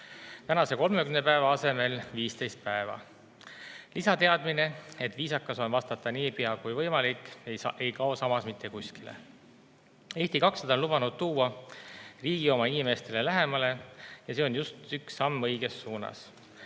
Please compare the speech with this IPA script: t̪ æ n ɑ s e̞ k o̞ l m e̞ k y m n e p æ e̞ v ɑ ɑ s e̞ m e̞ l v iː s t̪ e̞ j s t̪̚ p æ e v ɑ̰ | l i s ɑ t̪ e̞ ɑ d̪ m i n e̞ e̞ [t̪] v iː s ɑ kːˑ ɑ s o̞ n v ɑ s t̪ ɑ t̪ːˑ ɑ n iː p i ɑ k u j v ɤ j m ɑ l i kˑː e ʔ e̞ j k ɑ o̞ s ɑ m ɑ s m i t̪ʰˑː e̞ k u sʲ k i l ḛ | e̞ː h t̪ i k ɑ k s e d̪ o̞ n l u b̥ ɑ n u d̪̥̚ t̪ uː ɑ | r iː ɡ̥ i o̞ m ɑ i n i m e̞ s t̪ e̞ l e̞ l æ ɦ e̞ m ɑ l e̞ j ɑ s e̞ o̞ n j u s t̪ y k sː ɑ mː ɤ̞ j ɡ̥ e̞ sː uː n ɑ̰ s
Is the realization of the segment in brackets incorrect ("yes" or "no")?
no